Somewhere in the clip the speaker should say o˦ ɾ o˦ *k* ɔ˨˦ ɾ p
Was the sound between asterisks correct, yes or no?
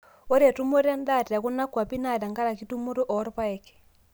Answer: no